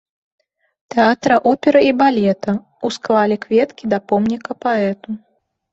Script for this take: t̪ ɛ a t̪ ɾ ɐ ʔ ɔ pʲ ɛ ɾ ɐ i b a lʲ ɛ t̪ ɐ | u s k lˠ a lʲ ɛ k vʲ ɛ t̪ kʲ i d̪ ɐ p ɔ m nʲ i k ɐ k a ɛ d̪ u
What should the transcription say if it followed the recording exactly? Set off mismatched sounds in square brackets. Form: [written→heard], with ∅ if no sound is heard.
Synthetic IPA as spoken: t̪ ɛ a t̪ ɾ ɐ ʔ ɔ pʲ ɛ ɾ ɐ i b a lʲ ɛ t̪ ɐ | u s k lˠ a lʲ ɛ k vʲ ɛ t̪ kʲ i d̪ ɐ p ɔ m nʲ i k ɐ [k→p] a ɛ [d̪→t̪] u